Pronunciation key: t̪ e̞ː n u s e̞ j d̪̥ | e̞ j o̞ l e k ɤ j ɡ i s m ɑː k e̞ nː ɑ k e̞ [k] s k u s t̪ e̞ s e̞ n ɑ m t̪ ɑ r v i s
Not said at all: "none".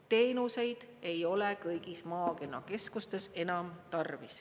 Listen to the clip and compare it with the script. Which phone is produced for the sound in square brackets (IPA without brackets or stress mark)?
none